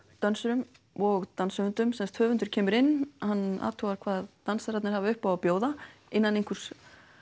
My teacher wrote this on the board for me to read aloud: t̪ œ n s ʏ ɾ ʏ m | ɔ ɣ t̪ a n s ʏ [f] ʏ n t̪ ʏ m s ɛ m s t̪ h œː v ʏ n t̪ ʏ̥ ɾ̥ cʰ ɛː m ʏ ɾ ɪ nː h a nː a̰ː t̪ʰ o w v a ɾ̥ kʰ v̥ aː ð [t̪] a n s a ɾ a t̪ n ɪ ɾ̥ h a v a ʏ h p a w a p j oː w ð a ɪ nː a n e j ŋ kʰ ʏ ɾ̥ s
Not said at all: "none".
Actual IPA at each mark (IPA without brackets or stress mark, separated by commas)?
v, t̪